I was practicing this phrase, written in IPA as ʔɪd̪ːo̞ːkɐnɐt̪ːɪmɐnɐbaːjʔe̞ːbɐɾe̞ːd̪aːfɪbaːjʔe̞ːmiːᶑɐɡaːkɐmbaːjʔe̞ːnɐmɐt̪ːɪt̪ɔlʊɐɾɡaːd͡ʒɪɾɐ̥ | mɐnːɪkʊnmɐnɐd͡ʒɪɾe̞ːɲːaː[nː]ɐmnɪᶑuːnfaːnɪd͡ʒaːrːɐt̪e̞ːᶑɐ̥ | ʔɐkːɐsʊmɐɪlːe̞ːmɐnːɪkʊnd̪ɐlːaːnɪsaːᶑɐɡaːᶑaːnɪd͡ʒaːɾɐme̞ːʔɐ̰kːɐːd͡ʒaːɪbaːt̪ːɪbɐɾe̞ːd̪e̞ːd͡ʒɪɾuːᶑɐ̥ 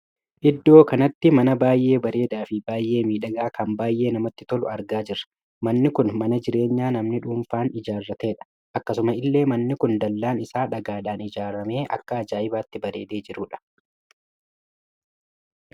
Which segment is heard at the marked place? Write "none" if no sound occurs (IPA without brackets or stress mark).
n